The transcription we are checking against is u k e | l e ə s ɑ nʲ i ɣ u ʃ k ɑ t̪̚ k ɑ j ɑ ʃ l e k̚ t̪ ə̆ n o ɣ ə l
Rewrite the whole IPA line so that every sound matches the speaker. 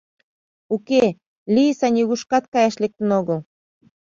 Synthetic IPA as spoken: u k e | l i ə s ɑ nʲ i ɣ u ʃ k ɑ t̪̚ k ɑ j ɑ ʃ l e k̚ t̪ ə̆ n o ɣ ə l